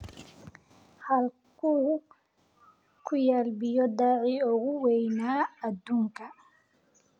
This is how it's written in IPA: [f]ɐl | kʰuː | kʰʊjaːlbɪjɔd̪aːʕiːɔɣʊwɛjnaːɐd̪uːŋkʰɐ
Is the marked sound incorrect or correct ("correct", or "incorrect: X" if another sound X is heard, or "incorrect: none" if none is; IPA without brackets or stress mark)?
incorrect: h